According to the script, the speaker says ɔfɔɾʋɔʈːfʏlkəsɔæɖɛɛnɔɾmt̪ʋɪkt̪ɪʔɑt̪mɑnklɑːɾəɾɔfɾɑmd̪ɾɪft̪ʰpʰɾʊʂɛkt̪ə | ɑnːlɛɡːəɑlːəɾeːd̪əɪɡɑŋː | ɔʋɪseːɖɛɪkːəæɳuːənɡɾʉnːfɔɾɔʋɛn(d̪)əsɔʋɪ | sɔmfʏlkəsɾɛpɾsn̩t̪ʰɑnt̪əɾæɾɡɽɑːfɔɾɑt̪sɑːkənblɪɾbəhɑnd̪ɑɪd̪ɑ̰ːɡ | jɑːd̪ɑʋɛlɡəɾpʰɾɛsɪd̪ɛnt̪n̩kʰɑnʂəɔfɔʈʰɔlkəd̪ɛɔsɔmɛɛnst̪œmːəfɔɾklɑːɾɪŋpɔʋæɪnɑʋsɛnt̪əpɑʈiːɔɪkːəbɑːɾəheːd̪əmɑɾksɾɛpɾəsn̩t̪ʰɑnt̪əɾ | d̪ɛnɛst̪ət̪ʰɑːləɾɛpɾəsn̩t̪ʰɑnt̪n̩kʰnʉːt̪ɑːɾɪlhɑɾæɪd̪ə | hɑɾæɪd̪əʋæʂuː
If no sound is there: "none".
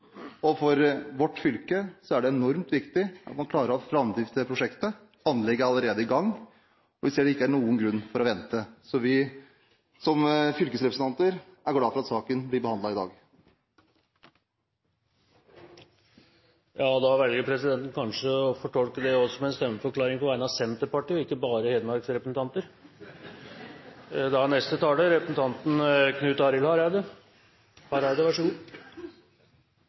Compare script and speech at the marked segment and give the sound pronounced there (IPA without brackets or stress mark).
t̪